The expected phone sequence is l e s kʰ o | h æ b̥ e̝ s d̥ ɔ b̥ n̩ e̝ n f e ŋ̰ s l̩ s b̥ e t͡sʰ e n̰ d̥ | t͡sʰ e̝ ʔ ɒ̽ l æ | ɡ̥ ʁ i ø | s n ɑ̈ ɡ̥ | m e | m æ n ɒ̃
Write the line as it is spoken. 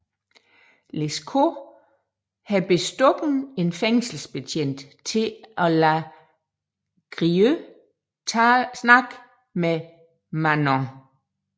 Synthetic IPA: l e s kʰ o | h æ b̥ e̝ s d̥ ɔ ɡ̥ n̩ e̝ n f e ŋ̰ s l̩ s b̥ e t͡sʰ e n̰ d̥ | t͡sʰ e̝ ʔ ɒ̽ l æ | ɡ̥ ʁ i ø | s n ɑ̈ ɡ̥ | m e | m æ n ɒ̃